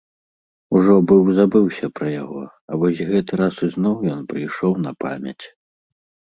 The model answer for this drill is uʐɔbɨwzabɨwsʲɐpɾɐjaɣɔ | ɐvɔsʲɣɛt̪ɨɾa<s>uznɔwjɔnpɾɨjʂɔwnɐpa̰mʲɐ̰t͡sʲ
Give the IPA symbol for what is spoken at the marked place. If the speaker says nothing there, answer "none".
s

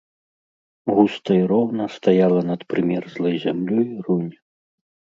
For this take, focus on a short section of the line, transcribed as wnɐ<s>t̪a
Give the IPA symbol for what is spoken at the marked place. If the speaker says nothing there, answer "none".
s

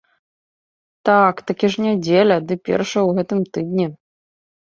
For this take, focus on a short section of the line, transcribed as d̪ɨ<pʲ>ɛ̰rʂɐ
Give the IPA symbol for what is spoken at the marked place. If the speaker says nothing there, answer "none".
pʲ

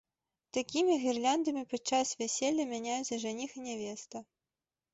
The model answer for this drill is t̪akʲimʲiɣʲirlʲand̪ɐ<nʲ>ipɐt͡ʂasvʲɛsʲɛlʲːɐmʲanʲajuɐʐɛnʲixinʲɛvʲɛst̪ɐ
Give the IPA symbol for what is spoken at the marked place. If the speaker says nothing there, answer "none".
mʲ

